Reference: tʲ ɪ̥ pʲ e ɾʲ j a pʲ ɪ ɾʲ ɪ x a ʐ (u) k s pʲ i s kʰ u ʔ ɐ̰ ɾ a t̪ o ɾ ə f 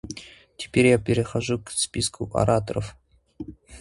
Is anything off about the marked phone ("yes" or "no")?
no